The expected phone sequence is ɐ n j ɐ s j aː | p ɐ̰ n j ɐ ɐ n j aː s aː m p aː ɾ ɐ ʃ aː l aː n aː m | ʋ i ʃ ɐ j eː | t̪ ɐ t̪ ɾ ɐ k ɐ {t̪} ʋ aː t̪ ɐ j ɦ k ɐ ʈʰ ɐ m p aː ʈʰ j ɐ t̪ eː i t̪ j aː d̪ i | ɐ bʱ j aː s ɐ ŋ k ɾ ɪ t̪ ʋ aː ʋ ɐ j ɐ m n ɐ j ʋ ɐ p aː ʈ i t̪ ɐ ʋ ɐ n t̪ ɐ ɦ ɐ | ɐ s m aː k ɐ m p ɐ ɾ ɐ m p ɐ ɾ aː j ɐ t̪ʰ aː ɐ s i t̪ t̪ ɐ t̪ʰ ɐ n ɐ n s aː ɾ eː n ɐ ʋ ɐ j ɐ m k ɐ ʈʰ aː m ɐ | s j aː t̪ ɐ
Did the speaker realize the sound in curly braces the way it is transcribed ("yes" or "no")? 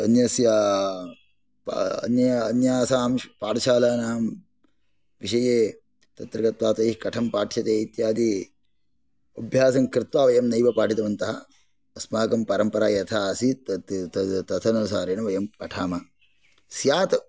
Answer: yes